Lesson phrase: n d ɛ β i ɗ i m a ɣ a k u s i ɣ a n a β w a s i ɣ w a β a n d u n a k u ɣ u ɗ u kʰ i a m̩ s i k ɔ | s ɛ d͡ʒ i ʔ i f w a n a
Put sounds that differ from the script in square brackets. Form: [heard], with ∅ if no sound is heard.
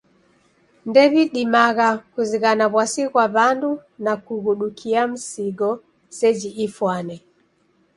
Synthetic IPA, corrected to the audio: n d ɛ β i ɗ i m a ɣ a k u [z] i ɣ a n a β w a s i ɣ w a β a n d u n a k u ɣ u ɗ u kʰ i a m̩ s i [ɡ] ɔ | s ɛ d͡ʒ i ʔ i f w a n [ɛ]